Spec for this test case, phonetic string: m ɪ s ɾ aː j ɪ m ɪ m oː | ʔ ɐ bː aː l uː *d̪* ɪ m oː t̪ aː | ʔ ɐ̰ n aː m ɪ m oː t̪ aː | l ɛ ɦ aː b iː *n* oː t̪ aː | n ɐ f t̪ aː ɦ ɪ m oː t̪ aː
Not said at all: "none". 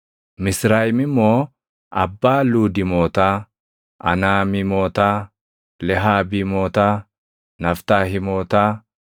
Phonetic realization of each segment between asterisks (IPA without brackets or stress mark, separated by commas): d̪, m